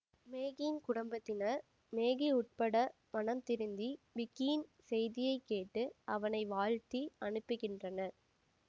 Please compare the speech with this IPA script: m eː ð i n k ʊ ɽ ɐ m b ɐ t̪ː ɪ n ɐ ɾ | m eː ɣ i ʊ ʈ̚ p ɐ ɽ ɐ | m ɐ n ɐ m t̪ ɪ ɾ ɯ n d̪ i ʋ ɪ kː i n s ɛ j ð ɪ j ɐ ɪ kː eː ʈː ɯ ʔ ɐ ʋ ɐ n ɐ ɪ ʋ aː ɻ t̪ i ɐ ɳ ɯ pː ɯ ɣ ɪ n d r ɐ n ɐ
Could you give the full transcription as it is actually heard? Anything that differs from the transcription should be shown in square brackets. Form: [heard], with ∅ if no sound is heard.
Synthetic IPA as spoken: m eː [ɣ] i n k ʊ ɽ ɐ m b ɐ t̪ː ɪ n ɐ ɾ | m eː ɣ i ʊ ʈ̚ p ɐ ɽ ɐ | m ɐ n ɐ m t̪ ɪ ɾ ɯ n d̪ i ʋ ɪ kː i n s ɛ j ð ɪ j ɐ ɪ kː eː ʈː ɯ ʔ ɐ ʋ ɐ n ɐ ɪ ʋ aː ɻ t̪ i ɐ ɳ ɯ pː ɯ ɣ ɪ n d r ɐ n ɐ